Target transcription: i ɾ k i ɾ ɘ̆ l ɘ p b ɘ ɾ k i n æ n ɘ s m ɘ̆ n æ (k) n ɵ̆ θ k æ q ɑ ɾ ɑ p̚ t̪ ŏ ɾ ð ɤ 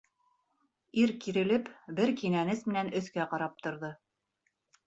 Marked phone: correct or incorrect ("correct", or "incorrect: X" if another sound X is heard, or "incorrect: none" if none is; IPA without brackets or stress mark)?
incorrect: none